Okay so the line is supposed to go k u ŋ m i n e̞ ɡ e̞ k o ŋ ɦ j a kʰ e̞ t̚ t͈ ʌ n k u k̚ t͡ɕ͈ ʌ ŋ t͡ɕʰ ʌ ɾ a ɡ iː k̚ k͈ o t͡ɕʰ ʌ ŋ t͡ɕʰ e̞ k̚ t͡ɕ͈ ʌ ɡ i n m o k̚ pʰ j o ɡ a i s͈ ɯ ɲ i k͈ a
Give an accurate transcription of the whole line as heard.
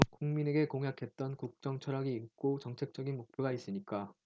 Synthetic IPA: k u ŋ m i n e̞ ɡ e̞ k o ŋ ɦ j a kʰ e̞ t̚ t͈ ʌ n k u k̚ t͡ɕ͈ ʌ ŋ t͡ɕʰ ʌ ɾ a ɡ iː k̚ k͈ o t͡ɕ ʌ ŋ t͡ɕʰ e̞ k̚ t͡ɕ͈ ʌ ɡ i n m o k̚ pʰ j o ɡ a i s͈ ɯ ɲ i k͈ a